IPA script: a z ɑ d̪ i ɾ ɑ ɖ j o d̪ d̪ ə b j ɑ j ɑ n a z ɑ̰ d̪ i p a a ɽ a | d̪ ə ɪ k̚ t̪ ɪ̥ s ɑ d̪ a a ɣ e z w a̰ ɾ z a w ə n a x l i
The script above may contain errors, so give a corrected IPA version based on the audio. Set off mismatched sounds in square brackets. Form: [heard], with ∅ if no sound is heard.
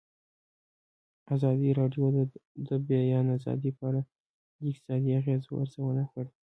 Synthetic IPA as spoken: a z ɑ d̪ i ɾ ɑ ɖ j o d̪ d̪ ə b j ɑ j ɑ n a z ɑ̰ d̪ i p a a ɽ a | d̪ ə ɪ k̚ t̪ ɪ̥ s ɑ d̪ [i] a ɣ e z w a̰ ɾ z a w ə n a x [ɽ] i